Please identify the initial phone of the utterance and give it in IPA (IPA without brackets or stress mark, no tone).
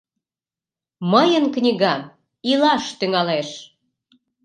m